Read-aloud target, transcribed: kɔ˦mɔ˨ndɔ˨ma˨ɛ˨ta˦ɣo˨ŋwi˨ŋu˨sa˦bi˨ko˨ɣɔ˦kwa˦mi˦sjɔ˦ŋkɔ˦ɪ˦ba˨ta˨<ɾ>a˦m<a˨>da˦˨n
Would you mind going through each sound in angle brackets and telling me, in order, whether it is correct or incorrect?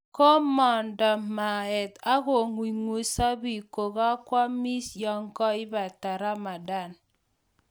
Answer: correct, correct

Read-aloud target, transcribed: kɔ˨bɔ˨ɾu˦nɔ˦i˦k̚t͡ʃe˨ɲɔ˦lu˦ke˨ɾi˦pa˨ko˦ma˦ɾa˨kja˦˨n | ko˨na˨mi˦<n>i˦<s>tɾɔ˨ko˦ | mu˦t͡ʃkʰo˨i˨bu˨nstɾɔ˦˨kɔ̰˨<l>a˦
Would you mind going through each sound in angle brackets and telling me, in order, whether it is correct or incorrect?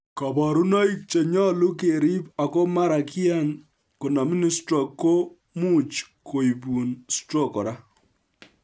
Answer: correct, correct, incorrect: ɾ

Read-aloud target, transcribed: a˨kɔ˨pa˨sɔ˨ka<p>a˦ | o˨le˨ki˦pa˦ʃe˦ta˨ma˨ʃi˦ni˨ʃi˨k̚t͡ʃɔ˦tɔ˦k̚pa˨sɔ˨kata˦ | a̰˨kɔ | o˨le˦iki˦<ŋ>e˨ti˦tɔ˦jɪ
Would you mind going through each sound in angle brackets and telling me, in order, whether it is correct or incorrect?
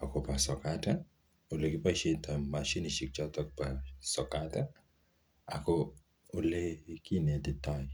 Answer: incorrect: t, incorrect: n

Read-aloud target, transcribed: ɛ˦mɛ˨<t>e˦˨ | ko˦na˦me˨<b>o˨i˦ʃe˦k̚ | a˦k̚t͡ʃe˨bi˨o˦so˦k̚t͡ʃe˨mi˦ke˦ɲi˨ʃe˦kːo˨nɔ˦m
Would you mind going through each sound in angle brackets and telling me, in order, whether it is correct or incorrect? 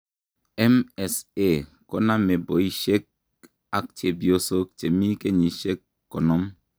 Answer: incorrect: s, correct

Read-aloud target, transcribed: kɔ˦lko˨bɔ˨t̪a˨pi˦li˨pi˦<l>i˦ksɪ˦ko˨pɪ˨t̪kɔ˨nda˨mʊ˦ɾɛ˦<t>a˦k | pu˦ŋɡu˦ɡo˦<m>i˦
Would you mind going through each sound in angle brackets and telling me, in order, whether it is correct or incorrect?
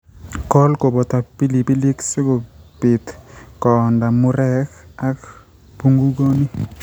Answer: correct, incorrect: k, incorrect: n

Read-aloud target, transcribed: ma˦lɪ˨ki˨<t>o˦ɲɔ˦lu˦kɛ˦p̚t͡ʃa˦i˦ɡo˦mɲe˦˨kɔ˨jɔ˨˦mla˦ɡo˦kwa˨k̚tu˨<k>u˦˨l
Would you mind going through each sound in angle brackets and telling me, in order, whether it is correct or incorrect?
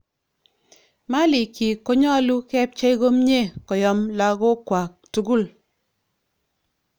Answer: incorrect: k, incorrect: ɡ

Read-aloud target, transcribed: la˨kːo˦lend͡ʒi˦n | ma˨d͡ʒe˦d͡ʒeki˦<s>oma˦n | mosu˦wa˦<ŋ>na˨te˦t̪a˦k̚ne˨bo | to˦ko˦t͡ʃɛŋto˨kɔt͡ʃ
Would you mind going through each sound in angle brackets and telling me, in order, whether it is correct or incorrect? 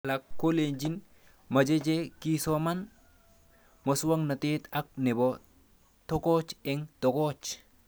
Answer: correct, correct

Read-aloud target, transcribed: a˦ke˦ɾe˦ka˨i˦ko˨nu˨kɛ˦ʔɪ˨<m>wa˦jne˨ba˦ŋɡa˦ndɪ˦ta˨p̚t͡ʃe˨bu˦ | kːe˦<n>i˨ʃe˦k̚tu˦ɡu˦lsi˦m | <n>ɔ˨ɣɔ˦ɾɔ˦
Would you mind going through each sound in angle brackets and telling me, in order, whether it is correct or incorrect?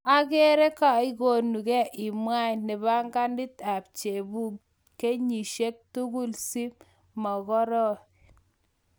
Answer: correct, incorrect: ɲ, incorrect: m

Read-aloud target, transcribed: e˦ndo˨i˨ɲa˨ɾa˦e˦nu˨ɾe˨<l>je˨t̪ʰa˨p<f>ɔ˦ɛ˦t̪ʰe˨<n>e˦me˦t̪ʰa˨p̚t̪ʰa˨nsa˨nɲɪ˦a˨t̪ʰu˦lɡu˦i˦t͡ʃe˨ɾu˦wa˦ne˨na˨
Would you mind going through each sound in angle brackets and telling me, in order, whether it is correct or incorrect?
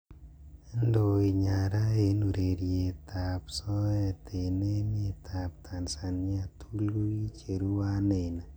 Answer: incorrect: ɾ, incorrect: s, correct

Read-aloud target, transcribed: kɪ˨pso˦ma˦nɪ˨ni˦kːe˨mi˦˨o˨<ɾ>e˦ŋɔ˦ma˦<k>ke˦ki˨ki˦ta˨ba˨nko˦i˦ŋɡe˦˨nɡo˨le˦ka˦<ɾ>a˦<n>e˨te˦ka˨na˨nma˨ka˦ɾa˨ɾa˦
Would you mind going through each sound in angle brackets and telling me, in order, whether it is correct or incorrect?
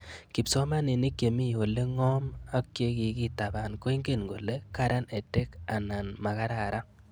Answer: incorrect: l, correct, correct, correct

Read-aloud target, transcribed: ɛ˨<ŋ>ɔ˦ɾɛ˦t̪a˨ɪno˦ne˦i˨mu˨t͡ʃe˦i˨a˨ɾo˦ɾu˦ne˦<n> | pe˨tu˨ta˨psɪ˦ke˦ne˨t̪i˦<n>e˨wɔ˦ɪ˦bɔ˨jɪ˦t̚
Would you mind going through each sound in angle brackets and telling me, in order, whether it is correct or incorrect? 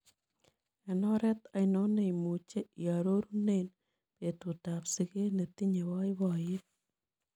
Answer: incorrect: n, correct, incorrect: ɲ

